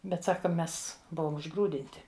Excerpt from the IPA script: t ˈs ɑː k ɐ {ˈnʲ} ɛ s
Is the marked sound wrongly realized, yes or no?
yes